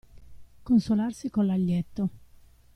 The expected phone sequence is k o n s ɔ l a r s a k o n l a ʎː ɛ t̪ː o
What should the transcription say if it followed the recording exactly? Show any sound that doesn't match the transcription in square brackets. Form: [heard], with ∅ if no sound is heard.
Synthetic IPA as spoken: k o n s [o] l a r s [i] k o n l a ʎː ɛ t̪ː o